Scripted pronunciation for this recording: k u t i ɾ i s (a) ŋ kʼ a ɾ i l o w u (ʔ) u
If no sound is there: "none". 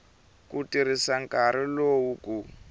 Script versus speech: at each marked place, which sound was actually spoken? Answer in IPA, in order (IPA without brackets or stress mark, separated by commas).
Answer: a, k